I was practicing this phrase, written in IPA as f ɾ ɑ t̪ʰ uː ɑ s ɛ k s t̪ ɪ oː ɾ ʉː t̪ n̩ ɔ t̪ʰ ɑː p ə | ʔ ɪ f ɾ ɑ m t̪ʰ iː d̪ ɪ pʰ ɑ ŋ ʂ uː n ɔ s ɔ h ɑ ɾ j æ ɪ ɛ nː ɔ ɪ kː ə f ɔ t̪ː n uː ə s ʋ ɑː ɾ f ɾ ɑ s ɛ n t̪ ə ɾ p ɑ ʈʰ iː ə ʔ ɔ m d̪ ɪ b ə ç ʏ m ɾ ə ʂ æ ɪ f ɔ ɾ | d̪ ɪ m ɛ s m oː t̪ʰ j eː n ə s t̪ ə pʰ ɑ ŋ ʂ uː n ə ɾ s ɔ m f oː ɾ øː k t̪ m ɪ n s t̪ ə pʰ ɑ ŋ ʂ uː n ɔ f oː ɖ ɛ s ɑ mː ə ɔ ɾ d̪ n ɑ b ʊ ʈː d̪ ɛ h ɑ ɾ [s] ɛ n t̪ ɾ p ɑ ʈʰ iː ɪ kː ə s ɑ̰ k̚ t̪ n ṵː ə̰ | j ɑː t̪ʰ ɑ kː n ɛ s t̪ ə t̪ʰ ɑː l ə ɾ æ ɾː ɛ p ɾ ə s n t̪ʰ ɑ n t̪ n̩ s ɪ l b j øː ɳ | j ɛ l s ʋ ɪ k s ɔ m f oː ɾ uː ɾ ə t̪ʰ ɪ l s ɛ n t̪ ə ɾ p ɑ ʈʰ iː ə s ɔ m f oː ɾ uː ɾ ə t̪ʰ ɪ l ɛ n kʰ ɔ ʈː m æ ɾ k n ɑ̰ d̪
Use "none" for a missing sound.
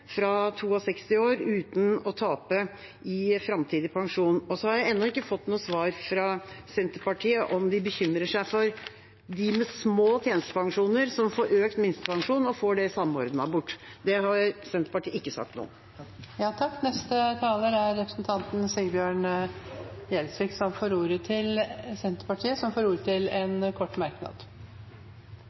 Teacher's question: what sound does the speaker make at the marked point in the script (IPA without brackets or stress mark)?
s